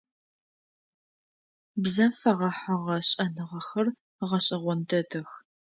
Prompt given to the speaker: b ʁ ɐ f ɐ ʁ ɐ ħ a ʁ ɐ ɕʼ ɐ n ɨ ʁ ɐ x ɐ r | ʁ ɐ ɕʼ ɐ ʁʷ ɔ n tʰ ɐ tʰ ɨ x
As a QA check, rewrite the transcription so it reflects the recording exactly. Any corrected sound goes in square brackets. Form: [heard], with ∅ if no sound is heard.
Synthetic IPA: b [z] ɐ f ɐ ʁ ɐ ħ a ʁ ɐ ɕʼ ɐ n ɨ ʁ ɐ x ɐ r | ʁ ɐ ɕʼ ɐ ʁʷ ɔ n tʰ ɐ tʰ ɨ x